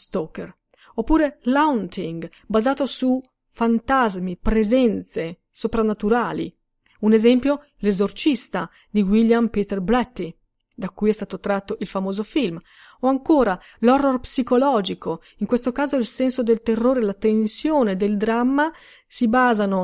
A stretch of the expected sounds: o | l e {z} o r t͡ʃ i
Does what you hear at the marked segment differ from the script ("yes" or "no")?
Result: no